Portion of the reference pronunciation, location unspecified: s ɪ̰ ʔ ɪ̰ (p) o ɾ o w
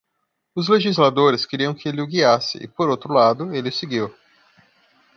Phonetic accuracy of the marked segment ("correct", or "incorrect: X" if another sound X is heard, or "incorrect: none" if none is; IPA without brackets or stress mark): correct